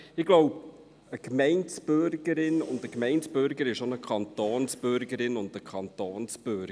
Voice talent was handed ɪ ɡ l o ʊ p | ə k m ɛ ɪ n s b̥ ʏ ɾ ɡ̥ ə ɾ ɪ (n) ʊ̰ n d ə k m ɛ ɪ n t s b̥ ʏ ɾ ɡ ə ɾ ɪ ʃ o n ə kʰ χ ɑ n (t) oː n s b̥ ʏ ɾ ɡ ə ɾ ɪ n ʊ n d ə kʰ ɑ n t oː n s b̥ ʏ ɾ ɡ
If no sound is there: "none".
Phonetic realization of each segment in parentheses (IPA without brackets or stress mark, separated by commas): n, t